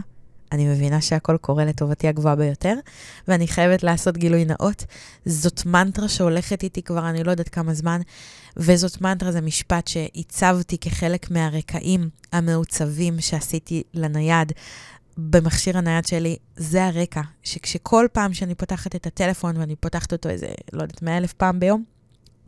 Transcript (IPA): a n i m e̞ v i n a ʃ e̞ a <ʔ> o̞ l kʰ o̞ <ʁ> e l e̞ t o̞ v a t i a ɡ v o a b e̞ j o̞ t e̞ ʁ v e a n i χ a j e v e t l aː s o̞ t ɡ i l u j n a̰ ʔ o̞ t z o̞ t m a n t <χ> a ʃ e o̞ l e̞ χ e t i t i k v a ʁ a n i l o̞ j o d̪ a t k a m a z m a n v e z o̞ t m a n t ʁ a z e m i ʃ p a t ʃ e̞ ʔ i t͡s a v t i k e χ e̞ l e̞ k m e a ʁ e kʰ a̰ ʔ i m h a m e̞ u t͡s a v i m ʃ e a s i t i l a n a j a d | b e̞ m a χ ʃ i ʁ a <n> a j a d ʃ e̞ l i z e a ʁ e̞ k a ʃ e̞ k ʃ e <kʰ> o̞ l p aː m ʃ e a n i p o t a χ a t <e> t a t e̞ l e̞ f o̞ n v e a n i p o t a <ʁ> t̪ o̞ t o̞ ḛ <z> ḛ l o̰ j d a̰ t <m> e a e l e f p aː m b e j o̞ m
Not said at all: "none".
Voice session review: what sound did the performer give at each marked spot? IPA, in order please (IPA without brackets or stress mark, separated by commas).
k, ʁ, ʁ, n, kʰ, e, χ, z, m